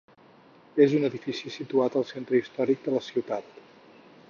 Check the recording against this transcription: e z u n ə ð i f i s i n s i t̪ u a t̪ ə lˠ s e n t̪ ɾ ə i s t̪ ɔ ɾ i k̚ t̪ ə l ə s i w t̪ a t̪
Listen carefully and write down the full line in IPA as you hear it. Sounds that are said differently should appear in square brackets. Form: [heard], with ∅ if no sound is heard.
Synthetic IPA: e z u n ə ð i f i s i [∅] s i t̪ u a t̪ ə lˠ s e n t̪ ɾ ə i s t̪ ɔ ɾ i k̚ [d̪] ə l ə s i w t̪ a t̪